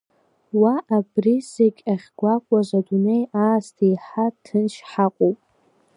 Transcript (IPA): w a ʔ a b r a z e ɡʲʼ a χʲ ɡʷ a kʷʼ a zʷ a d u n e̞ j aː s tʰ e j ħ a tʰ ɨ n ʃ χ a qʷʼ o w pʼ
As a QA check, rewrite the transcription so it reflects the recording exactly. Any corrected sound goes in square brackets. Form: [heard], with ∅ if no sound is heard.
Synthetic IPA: w a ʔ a b r [i] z e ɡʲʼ a χʲ ɡʷ a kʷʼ a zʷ a d u n e̞ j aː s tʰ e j ħ a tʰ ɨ n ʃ [ħ] a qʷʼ o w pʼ